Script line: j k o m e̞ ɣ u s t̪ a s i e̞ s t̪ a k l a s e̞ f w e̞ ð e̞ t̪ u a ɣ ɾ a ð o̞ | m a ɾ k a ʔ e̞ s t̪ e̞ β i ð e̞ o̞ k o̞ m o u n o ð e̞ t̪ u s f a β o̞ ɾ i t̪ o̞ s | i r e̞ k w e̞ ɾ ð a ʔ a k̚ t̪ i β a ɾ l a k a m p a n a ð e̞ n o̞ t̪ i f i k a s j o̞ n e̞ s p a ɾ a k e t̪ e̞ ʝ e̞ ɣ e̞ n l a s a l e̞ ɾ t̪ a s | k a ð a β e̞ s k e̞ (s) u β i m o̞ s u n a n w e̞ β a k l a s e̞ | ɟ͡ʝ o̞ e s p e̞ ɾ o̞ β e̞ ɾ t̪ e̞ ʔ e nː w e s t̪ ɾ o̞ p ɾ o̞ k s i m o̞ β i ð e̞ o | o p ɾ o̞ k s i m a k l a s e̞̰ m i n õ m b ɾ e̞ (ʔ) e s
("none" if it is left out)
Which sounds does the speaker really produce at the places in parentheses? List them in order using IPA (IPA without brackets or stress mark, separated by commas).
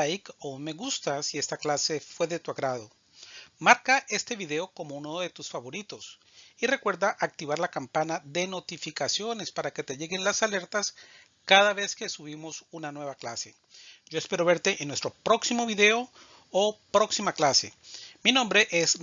s, ʔ